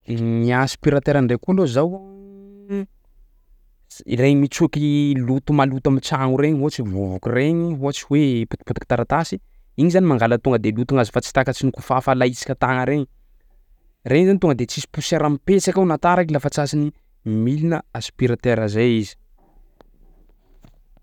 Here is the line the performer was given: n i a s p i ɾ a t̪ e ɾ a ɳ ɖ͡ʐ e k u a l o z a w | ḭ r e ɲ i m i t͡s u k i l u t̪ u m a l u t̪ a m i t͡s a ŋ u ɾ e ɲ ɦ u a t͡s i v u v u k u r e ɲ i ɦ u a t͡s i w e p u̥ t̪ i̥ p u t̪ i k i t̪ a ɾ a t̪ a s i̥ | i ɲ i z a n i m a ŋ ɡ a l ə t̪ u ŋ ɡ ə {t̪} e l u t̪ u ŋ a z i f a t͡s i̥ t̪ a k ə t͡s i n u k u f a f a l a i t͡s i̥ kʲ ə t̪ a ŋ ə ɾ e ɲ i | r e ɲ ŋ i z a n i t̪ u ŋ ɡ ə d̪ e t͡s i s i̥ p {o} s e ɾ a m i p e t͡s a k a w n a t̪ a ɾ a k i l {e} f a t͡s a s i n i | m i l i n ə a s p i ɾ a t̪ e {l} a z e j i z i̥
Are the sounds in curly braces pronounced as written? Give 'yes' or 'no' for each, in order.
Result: no, no, no, no

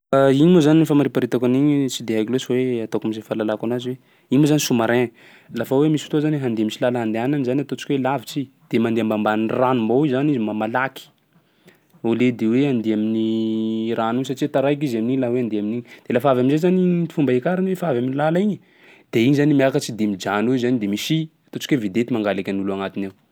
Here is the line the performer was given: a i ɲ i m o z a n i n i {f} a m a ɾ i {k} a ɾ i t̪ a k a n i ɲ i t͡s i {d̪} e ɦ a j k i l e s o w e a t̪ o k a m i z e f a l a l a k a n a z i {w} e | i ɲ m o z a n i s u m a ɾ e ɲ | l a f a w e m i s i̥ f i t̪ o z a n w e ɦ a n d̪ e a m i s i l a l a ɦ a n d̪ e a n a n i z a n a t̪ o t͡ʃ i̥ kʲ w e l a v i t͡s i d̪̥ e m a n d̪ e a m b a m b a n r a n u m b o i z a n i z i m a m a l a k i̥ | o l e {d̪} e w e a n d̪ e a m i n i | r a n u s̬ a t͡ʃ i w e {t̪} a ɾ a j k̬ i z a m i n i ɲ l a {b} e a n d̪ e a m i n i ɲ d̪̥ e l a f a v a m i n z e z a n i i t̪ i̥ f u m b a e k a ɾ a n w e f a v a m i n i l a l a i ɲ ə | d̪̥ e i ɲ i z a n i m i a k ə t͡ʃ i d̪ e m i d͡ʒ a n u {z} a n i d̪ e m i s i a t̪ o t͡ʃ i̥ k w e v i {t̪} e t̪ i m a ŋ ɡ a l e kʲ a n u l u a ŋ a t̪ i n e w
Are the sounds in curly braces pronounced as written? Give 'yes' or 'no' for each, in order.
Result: yes, no, yes, yes, yes, yes, no, yes, no

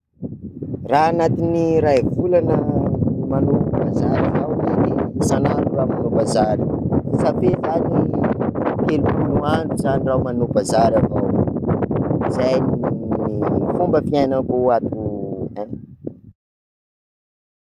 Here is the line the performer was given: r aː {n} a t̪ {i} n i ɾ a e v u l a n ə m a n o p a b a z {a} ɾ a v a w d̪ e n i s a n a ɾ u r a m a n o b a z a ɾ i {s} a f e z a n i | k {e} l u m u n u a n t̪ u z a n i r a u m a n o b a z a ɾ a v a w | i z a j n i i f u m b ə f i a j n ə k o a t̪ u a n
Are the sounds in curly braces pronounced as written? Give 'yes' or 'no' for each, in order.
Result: yes, yes, yes, yes, yes

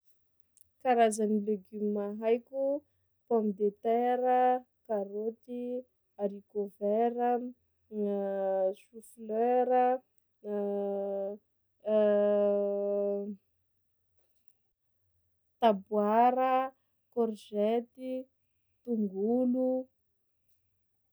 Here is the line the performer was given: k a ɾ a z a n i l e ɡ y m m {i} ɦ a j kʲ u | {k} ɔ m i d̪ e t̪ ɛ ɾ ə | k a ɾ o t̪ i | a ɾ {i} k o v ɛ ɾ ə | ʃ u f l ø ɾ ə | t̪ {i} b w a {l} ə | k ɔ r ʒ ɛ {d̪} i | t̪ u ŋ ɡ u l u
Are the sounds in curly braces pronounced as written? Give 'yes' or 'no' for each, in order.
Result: no, no, yes, no, no, no

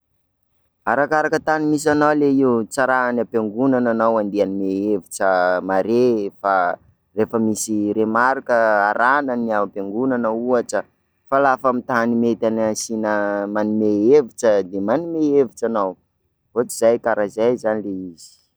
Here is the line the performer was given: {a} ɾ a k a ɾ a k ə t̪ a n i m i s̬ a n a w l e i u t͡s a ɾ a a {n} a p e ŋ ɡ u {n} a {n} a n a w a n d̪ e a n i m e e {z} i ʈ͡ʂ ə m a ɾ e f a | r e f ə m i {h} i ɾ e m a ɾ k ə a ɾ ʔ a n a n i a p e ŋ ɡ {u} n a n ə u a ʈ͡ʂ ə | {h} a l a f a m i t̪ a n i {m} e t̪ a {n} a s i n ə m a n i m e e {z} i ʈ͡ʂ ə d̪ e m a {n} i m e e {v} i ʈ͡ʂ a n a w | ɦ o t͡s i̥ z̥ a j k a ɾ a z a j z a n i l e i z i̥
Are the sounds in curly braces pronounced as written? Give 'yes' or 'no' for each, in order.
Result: yes, yes, yes, yes, no, no, yes, no, yes, yes, no, yes, yes

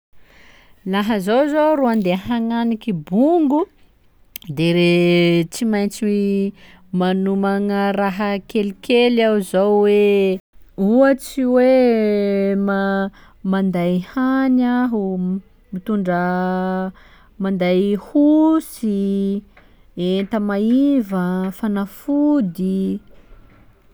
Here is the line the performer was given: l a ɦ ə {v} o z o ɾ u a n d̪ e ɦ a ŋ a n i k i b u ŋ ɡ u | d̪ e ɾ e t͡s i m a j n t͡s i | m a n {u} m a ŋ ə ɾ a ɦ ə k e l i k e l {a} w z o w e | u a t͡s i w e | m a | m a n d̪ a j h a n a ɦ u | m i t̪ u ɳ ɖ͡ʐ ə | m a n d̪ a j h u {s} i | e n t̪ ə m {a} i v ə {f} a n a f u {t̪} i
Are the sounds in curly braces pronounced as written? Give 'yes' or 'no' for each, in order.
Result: no, yes, yes, yes, yes, yes, no

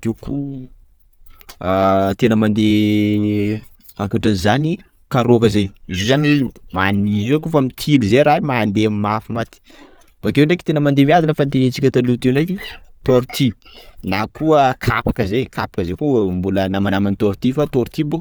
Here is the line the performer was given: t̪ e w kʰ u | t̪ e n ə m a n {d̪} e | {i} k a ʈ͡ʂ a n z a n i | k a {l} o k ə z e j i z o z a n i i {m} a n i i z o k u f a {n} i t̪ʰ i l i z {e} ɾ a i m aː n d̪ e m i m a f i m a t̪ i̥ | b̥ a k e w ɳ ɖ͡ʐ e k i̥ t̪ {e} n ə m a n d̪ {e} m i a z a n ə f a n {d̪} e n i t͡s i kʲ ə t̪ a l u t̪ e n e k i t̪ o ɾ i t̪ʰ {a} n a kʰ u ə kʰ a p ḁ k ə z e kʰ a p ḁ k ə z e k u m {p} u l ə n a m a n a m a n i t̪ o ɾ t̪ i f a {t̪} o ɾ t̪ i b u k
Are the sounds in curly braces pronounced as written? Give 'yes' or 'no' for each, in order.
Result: yes, no, no, yes, no, yes, yes, yes, no, no, no, yes

